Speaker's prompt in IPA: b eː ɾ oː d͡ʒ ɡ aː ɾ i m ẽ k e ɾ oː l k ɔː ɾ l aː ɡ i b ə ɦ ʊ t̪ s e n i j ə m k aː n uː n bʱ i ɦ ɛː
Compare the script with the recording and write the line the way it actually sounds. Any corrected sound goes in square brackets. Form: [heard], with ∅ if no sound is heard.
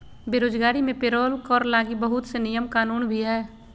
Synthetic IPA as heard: b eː ɾ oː d͡ʒ ɡ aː ɾ i m ẽ [p] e ɾ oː l k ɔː ɾ l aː ɡ i b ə ɦ ʊ t̪ s e n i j ə m k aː n uː n bʱ i ɦ ɛː